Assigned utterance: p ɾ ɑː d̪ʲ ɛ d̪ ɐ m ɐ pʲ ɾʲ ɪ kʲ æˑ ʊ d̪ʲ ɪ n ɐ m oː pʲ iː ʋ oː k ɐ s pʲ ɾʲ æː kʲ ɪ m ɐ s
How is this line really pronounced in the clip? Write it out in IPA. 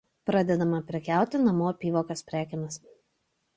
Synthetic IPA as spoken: p ɾ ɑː d̪ʲ ɛ d̪ ɐ m ɐ pʲ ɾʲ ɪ kʲ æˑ ʊ t̪ʲ ɪ n ɐ m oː pʲ iː ʋ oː k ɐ s pʲ ɾʲ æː kʲ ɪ n ɐ s

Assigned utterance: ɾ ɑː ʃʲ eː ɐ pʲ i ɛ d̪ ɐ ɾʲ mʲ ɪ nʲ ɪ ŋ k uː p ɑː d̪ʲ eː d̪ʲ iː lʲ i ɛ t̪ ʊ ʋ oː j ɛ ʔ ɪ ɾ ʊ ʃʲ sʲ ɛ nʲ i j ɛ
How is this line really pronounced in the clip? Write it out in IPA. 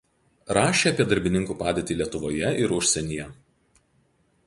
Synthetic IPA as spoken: ɾ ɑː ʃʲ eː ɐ pʲ i ɛ d̪ ɐ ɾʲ bʲ ɪ nʲ ɪ ŋ k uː p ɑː d̪ʲ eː t̪ʲ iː lʲ i ɛ t̪ ʊ ʋ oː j ɛ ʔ ɪ ɾ ʊ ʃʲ sʲ ɛ nʲ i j ɛ

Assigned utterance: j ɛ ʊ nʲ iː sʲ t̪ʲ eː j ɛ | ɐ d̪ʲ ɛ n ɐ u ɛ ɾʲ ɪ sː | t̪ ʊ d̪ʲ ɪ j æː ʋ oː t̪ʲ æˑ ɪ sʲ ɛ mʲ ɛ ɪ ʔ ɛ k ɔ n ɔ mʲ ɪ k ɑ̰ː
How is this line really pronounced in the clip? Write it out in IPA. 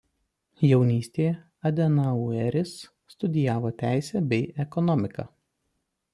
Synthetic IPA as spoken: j ɛ ʊ nʲ iː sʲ t̪ʲ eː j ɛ | ɐ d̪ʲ ɛ n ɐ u ɛ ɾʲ ɪ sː | t̪ ʊ d̪ʲ ɪ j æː ʋ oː t̪ʲ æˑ ɪ sʲ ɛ bʲ ɛ ɪ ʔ ɛ k ɔ n ɔ mʲ ɪ k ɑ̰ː

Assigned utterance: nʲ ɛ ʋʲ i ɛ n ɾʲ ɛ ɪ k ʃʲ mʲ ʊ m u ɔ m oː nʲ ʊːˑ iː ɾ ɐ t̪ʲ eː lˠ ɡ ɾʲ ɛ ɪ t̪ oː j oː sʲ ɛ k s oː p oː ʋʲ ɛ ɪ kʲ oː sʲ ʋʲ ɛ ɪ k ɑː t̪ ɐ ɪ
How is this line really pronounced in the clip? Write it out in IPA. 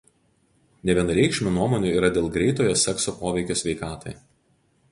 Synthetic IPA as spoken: nʲ ɛ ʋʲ i ɛ n ɾʲ ɛ ɪ k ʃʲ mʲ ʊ n u ɔ m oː nʲ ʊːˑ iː ɾ ɐ d̪ʲ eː lˠ ɡ ɾʲ ɛ ɪ t̪ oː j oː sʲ ɛ k s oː p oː ʋʲ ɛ ɪ kʲ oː sʲ ʋʲ ɛ ɪ k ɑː t̪ ɐ ɪ

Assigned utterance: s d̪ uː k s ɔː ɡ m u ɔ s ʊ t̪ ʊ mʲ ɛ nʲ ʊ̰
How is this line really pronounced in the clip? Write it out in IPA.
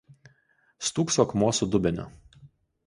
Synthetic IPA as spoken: s t̪ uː k s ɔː k m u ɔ s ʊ d̪ ʊ bʲ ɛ nʲ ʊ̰

